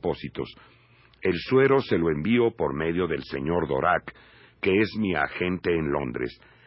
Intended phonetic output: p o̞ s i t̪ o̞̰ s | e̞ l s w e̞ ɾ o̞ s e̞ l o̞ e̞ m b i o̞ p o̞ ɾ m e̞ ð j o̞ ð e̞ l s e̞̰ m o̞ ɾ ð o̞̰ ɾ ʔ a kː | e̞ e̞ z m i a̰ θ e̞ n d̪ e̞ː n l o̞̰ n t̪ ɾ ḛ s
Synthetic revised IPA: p o̞ s i t̪ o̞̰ s | e̞ l s w e̞ ɾ o̞ s e̞ l o̞ e̞ m b i o̞ p o̞ ɾ m e̞ ð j o̞ ð e̞ l s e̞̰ ɲ o̞ ɾ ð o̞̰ ɾ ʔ a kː | e̞ e̞ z m i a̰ x e̞ n t̪ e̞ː n l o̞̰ n d̪ ɾ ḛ s